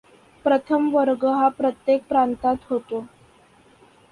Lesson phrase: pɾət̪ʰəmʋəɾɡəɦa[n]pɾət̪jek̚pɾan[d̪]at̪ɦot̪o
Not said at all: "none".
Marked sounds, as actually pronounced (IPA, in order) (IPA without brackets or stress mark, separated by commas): none, t̪